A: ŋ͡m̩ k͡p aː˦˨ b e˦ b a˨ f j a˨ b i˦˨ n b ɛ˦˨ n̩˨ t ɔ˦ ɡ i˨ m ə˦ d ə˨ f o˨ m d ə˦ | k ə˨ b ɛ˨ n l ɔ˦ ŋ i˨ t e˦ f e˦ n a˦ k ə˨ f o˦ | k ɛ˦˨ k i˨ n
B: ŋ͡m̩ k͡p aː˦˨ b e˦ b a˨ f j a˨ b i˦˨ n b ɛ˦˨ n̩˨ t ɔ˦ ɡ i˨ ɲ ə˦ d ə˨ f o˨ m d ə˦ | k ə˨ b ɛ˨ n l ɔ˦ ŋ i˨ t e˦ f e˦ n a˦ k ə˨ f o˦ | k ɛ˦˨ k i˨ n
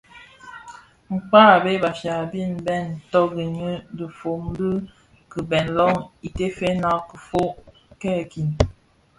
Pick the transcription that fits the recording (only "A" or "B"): B